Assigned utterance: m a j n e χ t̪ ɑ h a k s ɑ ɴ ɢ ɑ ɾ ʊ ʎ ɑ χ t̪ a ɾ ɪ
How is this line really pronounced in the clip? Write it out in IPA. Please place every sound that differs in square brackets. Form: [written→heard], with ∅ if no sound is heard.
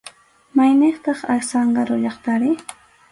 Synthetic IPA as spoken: m a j n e χ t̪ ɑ [h→χ] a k s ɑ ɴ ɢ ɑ ɾ ʊ ʎ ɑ χ t̪ a ɾ ɪ